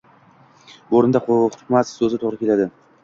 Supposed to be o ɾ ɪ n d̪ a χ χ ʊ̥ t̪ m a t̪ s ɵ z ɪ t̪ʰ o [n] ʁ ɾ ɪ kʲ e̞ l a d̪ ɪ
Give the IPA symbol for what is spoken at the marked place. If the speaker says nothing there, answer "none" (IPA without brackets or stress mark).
none